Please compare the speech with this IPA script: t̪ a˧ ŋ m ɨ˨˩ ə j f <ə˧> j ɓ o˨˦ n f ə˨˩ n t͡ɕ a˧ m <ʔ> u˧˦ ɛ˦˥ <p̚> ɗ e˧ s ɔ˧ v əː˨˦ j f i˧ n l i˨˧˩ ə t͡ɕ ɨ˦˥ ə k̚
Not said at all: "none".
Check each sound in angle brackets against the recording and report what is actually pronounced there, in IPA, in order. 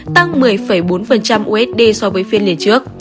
ə˧˩, ʔ, t̚

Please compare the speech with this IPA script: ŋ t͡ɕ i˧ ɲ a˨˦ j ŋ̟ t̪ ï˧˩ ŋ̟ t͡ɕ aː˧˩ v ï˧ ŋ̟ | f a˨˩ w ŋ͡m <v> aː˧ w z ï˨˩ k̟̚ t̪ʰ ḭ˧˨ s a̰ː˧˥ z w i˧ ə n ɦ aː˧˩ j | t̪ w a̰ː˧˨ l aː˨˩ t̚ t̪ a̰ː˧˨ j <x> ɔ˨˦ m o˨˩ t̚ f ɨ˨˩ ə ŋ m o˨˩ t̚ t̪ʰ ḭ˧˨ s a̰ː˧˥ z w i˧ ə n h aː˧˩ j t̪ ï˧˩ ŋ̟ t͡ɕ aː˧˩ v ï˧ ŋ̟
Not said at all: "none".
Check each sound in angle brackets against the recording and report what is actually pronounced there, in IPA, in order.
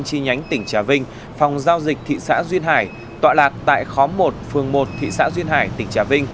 z, x

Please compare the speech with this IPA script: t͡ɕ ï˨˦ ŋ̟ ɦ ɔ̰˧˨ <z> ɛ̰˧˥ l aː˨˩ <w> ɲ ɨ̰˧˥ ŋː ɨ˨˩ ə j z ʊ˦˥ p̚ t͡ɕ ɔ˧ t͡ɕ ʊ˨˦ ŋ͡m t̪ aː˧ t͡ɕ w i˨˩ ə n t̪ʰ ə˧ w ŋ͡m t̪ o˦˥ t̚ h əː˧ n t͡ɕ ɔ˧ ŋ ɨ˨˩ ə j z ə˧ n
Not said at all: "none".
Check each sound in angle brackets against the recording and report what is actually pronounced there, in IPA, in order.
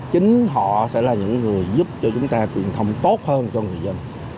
s, none

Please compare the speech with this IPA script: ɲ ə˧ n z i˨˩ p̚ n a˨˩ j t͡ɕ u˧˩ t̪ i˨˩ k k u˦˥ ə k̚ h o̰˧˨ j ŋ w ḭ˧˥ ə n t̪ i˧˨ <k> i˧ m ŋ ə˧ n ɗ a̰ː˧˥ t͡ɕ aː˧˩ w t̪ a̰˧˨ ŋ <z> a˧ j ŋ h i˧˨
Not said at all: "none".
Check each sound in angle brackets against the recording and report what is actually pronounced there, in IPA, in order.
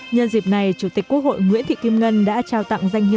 k, z

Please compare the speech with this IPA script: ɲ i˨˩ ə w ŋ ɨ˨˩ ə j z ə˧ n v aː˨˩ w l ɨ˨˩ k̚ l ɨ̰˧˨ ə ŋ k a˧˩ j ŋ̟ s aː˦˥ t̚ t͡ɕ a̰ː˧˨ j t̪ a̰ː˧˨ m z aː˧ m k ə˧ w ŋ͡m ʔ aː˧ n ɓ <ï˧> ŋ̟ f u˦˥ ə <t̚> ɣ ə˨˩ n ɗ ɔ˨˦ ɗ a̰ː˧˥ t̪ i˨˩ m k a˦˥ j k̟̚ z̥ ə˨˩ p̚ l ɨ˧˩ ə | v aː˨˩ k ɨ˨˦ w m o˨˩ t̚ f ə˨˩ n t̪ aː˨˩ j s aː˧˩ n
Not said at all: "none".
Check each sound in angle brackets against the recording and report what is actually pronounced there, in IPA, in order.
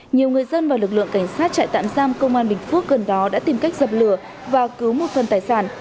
ï˨˩, k̚

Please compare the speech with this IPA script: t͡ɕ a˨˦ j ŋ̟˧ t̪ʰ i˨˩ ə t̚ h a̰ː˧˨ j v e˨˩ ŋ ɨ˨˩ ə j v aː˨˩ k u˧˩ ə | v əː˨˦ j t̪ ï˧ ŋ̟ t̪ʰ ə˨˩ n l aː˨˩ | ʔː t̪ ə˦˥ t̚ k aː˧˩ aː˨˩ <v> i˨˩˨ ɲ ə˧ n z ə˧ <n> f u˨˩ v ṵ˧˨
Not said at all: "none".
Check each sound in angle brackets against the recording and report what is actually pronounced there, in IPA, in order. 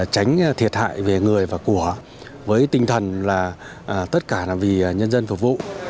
v, n

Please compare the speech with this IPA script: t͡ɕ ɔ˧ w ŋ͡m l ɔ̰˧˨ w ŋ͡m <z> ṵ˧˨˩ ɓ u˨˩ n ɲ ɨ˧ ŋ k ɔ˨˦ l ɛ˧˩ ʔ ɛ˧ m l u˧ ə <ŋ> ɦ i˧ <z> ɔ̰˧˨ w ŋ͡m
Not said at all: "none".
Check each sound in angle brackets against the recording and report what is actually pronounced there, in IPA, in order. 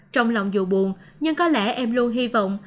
z, n, v

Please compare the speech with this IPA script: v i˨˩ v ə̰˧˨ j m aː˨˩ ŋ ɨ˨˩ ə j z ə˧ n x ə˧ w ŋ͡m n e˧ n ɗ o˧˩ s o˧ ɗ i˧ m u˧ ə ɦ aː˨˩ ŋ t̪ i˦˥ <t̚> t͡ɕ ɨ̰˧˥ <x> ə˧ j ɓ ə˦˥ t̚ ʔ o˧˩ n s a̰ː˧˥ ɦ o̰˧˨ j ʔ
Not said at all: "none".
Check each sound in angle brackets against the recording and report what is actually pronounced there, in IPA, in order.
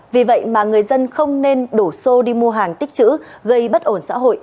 k̚, ɣ

